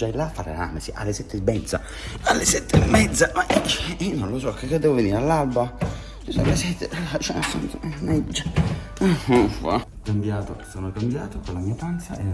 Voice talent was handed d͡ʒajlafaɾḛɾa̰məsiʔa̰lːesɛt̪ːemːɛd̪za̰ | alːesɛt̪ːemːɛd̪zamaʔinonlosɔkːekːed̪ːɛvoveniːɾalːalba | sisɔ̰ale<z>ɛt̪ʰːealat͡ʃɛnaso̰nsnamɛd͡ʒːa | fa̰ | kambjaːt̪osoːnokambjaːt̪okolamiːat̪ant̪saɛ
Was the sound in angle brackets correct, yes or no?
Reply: no